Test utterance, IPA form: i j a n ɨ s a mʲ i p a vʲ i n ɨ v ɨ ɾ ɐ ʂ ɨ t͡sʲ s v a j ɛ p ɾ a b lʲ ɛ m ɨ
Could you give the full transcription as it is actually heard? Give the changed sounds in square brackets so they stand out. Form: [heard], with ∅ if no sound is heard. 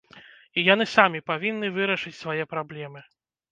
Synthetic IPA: i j a n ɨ s a mʲ i p a vʲ i [nː] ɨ v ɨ ɾ ɐ ʂ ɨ t͡sʲ s v a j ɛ p ɾ a b lʲ ɛ m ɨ

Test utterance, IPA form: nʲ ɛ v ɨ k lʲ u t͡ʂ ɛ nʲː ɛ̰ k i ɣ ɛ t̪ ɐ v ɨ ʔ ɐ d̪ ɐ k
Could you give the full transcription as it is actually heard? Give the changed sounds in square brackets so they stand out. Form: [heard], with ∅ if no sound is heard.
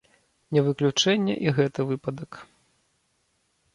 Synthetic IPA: nʲ ɛ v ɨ k lʲ u t͡ʂ ɛ nʲː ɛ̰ [ʔ] i ɣ ɛ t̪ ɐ v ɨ [p] ɐ d̪ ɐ k

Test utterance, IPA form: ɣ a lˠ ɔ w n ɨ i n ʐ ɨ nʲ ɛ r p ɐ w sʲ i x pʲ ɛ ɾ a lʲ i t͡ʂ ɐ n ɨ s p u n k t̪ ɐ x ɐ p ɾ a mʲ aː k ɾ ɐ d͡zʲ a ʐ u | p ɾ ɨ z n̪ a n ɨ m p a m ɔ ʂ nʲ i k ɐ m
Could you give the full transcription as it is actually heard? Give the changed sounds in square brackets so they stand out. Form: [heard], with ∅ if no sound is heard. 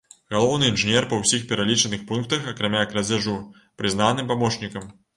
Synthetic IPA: ɣ a lˠ ɔ w n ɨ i n ʐ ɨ nʲ ɛ r p ɐ w sʲ i x pʲ ɛ ɾ a lʲ i t͡ʂ ɐ n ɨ [x] p u n k t̪ ɐ x ɐ [k] ɾ a mʲ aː k ɾ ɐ d͡zʲ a ʐ u | p ɾ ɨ z n̪ a n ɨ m p a m ɔ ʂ nʲ i k ɐ m

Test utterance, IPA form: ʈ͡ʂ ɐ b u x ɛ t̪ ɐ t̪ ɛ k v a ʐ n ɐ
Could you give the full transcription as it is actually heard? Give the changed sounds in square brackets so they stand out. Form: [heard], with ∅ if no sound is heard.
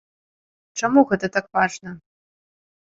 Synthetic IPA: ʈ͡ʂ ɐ [m] u [ɣ] ɛ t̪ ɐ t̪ [a] k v a ʐ n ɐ

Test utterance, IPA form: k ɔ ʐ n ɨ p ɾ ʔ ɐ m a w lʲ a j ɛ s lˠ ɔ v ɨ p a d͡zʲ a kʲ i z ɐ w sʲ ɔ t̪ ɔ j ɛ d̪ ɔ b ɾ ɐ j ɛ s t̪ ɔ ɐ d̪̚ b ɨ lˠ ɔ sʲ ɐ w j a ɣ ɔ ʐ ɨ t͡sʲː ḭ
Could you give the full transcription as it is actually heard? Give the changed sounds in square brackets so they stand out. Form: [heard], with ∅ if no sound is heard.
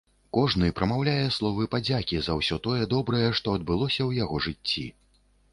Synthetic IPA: k ɔ ʐ n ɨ p ɾ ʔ ɐ m a w lʲ a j ɛ s lˠ ɔ v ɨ p a d͡zʲ a kʲ i z ɐ w sʲ ɔ t̪ ɔ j ɛ d̪ ɔ b ɾ ɐ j ɛ [ʂ] t̪ ɔ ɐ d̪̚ b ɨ lˠ ɔ sʲ ɐ w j a ɣ ɔ ʐ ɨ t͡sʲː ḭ

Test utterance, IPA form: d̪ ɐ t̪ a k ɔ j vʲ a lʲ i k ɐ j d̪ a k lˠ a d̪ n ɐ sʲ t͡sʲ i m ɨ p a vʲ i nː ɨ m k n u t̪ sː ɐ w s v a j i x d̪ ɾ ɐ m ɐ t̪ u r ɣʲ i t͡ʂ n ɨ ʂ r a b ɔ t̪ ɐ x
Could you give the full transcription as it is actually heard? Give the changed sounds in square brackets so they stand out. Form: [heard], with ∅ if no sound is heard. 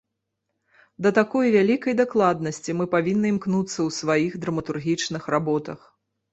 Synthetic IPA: d̪ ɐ t̪ a k ɔ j vʲ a lʲ i k ɐ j d̪ a k lˠ a d̪ n ɐ sʲ t͡sʲ i m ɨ p a vʲ i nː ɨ m k n u t̪ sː ɐ w s v a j i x d̪ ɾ ɐ m ɐ t̪ u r ɣʲ i t͡ʂ n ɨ [x] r a b ɔ t̪ ɐ x

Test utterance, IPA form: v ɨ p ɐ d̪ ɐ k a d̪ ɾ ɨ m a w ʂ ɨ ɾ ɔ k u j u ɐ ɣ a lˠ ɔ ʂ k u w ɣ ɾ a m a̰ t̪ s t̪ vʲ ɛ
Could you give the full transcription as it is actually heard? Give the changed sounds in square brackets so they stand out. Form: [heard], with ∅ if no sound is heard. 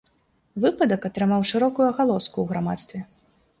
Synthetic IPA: v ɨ p ɐ d̪ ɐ k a [t̪] ɾ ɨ m a w ʂ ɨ ɾ ɔ k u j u ɐ ɣ a lˠ ɔ [s] k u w ɣ ɾ a m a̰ t̪ s t̪ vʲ ɛ

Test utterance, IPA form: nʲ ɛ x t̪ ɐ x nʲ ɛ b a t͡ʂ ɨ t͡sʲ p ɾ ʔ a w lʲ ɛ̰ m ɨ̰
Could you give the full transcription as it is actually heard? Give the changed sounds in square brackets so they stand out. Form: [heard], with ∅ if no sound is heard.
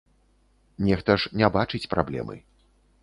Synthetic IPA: nʲ ɛ x t̪ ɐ [ʂ] nʲ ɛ b a t͡ʂ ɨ t͡sʲ p ɾ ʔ a [b] lʲ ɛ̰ m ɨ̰

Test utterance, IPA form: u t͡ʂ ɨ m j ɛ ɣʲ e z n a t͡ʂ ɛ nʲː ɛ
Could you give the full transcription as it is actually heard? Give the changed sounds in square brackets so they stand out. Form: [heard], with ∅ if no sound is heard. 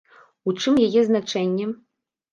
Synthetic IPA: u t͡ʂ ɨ m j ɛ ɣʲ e z n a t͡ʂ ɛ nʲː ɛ

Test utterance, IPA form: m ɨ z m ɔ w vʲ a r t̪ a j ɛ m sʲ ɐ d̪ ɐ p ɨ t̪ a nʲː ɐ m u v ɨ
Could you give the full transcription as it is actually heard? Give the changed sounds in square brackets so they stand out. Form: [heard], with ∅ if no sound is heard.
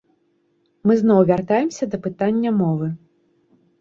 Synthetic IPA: m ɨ z [n] ɔ w vʲ a r t̪ a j ɛ m sʲ ɐ d̪ ɐ p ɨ t̪ a nʲː ɐ m [ɔ] v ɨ

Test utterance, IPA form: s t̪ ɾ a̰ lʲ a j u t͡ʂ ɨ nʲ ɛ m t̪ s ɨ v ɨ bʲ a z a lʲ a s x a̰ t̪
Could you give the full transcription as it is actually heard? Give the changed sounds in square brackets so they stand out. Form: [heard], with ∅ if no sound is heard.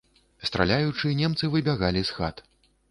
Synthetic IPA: s t̪ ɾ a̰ lʲ a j u t͡ʂ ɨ nʲ ɛ m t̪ s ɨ v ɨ bʲ a [ɣ] a lʲ [i] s x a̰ t̪

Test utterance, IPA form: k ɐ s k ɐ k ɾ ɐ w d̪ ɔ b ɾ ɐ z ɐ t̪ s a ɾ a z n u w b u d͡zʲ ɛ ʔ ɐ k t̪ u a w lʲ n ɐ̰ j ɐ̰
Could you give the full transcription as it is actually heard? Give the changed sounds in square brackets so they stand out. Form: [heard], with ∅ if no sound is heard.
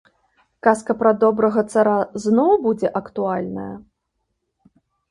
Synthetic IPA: k [a] s k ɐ [p] ɾ ɐ [∅] d̪ ɔ b ɾ ɐ [ɣ] ɐ t̪ s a ɾ a z n [ɔ] w b u d͡zʲ ɛ ʔ ɐ k t̪ u a [∅] lʲ n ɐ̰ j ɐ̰

